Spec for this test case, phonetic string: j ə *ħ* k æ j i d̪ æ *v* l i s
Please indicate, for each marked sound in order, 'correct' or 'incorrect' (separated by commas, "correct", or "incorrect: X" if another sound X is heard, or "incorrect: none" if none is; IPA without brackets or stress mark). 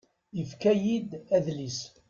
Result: incorrect: f, incorrect: ð